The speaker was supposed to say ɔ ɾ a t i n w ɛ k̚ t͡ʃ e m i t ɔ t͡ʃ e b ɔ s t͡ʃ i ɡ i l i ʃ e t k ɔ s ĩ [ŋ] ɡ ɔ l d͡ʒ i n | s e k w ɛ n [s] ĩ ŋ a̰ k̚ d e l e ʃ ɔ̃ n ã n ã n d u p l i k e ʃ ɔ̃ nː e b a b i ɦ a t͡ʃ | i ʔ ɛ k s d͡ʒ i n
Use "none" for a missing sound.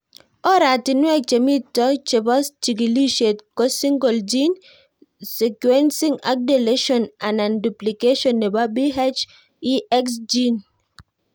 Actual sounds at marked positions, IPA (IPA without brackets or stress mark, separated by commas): ŋ, s